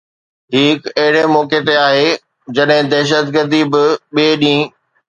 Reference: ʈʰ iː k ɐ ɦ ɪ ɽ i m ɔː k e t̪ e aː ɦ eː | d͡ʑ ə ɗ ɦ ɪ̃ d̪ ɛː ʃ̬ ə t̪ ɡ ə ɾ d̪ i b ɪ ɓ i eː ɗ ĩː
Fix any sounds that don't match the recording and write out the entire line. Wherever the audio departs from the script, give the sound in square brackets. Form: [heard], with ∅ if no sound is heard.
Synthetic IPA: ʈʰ iː k ɐ ɦ ɪ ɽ [e] m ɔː k e t̪ e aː ɦ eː | d͡ʑ [ɐ] ɗ ɦ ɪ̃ d̪ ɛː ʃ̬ ə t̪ ɡ ə ɾ d̪ i b ɪ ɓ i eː ɗ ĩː